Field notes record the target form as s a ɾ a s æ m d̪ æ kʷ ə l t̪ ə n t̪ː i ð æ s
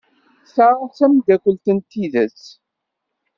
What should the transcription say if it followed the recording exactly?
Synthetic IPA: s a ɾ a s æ m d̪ æ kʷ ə l t̪ ə n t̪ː i ð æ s